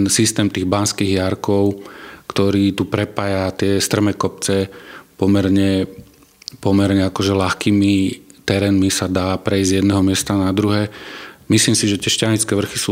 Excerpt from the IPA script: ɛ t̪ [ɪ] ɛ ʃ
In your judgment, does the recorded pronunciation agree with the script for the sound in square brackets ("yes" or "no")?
yes